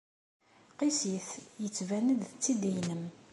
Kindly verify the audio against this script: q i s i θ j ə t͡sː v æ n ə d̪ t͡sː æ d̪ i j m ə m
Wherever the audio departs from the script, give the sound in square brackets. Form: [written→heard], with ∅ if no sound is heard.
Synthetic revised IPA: q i s i θ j ə t͡sː v æ n ə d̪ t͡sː [æ→i] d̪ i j [m→n] ə m